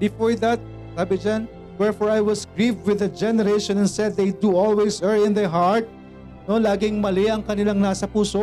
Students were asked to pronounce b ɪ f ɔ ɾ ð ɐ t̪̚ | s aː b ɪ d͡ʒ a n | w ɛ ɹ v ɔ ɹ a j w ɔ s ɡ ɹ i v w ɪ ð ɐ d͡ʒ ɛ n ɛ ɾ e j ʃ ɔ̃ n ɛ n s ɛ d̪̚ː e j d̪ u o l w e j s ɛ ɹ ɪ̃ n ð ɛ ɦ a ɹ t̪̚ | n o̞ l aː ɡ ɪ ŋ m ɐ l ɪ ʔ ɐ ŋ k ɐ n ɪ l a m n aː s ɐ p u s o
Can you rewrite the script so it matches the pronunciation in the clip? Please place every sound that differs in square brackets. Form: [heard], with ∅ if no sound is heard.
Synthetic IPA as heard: b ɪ f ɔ [ɹ] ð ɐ t̪̚ | s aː b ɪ d͡ʒ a n | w ɛ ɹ [f] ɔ ɹ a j w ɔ s ɡ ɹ i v w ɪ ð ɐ d͡ʒ ɛ n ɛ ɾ e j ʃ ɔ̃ n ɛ n s ɛ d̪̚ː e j d̪ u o l w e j s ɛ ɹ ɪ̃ n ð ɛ ɦ a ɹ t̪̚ | n o̞ l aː ɡ ɪ ŋ m ɐ l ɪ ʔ ɐ ŋ k ɐ n ɪ l a [ŋ] n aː s ɐ p [uː] s o